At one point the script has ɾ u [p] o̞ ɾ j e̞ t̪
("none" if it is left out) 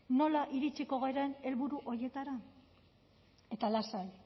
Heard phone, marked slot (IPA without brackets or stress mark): ʔ